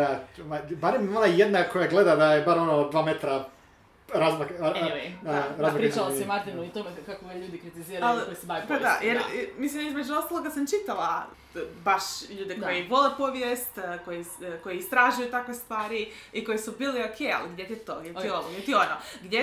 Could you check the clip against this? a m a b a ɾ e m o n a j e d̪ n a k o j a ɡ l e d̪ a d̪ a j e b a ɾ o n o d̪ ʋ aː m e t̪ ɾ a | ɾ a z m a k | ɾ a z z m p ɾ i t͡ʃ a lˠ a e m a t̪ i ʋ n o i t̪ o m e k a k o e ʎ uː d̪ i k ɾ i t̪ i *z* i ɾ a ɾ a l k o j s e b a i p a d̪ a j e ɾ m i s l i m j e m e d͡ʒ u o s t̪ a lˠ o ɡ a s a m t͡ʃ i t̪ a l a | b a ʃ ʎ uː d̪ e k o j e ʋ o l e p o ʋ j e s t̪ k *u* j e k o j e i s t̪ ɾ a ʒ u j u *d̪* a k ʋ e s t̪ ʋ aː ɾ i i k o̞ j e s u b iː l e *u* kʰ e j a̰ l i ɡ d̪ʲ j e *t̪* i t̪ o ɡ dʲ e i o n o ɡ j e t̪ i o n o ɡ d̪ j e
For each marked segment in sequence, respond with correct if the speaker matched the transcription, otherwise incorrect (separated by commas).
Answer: correct, incorrect, incorrect, incorrect, correct